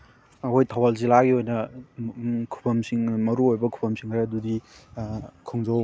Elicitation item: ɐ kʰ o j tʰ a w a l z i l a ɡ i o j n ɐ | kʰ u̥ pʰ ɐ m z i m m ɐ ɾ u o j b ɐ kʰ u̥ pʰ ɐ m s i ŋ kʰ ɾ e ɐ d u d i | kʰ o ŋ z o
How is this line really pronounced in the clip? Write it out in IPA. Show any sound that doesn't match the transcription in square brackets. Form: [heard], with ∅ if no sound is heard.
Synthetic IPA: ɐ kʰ o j tʰ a w a l z i l a ɡ i o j n ɐ | kʰ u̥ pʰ ɐ m [s] i [ŋ] m ɐ ɾ u o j b ɐ kʰ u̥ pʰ ɐ m s i ŋ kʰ ɾ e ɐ d u d i | kʰ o ŋ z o